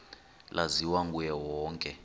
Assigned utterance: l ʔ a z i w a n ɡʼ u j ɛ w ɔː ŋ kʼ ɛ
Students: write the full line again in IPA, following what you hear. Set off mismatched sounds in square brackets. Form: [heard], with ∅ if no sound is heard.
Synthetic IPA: l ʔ a z i w a [ŋ] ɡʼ u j ɛ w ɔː ŋ kʼ ɛ

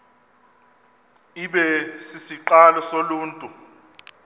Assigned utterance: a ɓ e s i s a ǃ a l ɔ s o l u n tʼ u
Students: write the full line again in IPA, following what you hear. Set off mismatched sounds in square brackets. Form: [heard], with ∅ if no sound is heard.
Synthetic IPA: [i] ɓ [ɛ] s i s [i] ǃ a l ɔ s o l [uː] n tʼ u

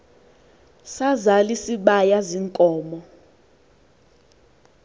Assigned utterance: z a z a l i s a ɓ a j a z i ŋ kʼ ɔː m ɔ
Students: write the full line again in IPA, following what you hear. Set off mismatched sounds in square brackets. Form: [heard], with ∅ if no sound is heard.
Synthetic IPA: [s] a z a l i s [i] ɓ a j a z i ŋ kʼ ɔː m ɔ

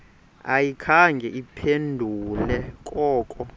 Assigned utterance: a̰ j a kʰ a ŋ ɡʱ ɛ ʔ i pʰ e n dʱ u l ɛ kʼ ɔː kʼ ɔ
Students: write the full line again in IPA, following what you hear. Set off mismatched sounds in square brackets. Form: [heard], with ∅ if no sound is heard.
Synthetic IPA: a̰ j [i] kʰ a ŋ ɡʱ ɛ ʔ i pʰ e n dʱ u l ɛ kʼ ɔː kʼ ɔ

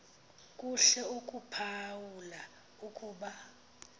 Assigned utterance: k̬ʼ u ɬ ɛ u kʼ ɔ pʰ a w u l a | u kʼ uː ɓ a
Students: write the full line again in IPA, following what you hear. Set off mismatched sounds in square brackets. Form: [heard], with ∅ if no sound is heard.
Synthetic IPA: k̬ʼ u ɬ ɛ u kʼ [u] pʰ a w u l a | u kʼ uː ɓ a

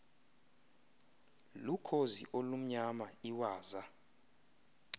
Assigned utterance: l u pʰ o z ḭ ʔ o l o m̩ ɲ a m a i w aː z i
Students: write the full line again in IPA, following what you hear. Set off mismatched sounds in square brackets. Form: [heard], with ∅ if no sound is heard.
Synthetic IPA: l u [kʰ] o z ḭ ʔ o l [u] m̩ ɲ a m a i w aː z [a]

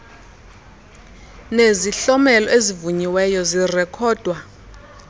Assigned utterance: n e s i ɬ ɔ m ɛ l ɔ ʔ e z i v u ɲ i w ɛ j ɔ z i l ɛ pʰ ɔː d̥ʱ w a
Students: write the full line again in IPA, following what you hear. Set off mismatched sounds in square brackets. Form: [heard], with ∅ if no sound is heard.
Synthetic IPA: n e [z] i ɬ ɔ m ɛ l ɔ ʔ e z i v u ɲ i w ɛ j ɔ z i [r] ɛ [kʰ] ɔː d̥ʱ w a

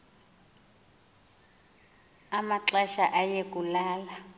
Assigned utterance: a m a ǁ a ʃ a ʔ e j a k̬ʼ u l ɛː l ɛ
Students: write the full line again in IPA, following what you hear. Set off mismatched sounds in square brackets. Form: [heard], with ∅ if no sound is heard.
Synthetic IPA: a m a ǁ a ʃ a ʔ [a] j [e] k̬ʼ u l [aː] l [a]

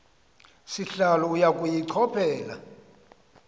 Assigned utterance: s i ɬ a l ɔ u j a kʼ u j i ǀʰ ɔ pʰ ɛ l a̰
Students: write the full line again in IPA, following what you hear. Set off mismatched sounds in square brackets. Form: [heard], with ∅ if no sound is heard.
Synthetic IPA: s i ɬ a l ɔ u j a kʼ u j i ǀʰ ɔ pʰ [ɛː] l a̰

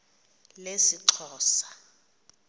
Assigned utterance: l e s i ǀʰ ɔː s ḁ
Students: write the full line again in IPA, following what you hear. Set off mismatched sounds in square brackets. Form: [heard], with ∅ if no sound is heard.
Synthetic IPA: l e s i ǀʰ ɔː s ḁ

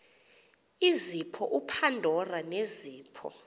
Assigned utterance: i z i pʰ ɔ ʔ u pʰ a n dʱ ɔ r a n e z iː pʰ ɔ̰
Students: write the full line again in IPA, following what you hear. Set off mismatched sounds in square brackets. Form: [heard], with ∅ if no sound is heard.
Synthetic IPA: i z i pʰ ɔ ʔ u pʰ a n dʱ ɔ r a n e z iː pʰ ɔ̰

